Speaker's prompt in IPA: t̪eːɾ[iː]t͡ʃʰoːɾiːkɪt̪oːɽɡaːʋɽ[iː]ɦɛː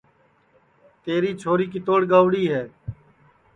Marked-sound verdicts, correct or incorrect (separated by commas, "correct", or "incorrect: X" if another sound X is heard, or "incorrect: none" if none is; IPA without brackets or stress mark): correct, correct